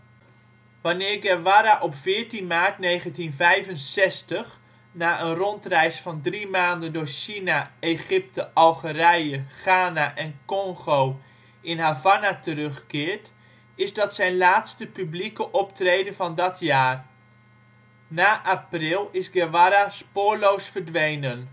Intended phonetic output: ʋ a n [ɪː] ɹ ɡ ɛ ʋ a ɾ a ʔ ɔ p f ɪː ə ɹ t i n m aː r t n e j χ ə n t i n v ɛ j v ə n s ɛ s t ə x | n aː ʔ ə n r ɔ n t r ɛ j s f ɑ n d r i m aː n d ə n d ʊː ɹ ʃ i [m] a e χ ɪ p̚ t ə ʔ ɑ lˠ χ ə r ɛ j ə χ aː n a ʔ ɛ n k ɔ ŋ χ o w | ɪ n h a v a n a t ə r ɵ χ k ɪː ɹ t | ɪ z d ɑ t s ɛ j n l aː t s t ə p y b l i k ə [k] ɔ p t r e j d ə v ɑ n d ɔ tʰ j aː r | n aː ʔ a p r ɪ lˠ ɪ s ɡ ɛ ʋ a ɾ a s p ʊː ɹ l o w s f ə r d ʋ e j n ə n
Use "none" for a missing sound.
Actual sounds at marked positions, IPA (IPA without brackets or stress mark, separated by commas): ɪː, n, ʔ